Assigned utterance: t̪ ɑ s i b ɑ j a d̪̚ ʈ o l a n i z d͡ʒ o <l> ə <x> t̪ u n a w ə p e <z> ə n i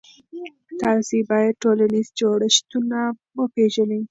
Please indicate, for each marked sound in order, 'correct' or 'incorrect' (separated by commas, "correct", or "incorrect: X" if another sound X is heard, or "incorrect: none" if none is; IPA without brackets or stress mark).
incorrect: ɽ, incorrect: ʃ, incorrect: ʒ